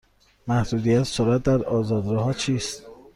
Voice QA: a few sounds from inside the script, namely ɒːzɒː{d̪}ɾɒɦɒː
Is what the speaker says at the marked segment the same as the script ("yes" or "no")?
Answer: yes